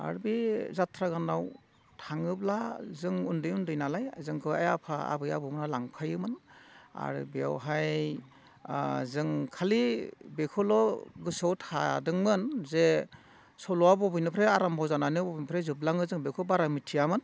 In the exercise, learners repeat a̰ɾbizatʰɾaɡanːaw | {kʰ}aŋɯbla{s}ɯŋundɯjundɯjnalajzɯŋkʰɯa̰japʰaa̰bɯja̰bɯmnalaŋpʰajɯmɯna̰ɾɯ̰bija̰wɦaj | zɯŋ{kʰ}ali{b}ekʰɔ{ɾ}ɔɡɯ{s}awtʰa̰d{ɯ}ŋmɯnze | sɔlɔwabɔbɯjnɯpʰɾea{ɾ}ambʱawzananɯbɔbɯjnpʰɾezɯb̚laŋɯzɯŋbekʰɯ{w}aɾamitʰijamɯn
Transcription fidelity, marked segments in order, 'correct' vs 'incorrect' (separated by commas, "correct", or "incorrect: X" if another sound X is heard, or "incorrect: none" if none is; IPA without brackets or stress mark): incorrect: tʰ, incorrect: z, correct, correct, incorrect: l, correct, correct, correct, incorrect: b